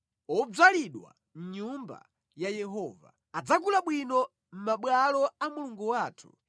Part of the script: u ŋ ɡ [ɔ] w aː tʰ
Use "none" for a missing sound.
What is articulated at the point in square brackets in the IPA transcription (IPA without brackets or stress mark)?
u